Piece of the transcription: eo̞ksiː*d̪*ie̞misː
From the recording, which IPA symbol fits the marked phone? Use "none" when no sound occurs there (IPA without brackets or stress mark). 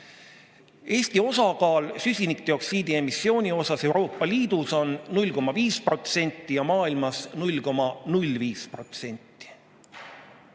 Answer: d̪